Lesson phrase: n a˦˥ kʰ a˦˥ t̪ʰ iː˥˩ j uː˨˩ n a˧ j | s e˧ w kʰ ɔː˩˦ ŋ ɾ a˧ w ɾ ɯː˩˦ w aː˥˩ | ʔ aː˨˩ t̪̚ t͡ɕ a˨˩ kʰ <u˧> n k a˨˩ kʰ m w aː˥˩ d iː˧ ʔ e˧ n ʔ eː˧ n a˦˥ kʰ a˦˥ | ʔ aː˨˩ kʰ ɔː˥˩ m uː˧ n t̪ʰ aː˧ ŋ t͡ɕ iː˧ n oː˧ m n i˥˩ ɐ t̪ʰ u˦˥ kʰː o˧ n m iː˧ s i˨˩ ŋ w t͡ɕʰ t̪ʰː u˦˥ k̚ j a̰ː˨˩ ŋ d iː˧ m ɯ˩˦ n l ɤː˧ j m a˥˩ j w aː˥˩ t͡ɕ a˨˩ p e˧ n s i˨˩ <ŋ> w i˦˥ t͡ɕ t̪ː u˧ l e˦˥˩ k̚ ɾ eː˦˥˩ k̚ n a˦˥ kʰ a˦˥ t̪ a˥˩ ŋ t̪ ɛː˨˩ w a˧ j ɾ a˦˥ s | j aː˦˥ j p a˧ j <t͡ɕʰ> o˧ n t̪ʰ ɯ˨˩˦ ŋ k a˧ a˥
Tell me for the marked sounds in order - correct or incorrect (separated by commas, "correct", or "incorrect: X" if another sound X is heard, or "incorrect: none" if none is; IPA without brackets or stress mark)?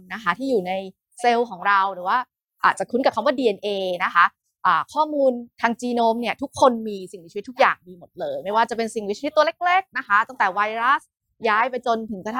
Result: incorrect: u˦˥, correct, incorrect: t͡ɕ